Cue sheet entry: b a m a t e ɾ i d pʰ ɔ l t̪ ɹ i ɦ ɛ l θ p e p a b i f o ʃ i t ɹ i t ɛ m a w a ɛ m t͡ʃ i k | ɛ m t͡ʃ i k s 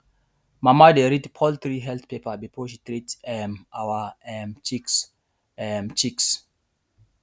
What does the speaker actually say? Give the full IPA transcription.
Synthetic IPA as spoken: m a m a d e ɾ i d pʰ ɔ l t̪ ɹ i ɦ ɛ l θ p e p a b i f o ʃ i t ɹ i t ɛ m a w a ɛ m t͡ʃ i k | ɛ m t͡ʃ i k s